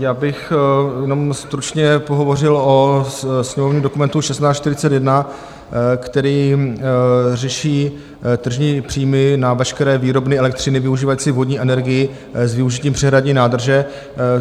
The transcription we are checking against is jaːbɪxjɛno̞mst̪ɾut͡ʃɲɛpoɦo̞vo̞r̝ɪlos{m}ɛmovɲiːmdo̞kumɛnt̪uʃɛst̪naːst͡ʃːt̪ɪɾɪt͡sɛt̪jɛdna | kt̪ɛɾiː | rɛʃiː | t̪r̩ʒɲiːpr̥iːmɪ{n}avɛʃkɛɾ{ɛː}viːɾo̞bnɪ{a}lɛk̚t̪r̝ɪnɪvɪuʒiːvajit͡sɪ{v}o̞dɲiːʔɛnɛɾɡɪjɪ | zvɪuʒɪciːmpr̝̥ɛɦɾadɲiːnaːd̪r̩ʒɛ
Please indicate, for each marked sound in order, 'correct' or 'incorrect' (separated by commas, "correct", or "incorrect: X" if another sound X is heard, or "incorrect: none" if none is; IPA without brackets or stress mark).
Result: incorrect: ɲ, correct, correct, incorrect: ɛ, correct